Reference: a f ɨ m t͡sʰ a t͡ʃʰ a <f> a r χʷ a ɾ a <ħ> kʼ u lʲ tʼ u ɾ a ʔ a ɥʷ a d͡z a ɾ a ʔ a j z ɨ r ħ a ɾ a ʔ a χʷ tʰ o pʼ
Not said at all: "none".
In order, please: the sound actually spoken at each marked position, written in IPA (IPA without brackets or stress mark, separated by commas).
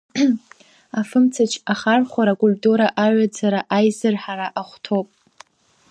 χ, none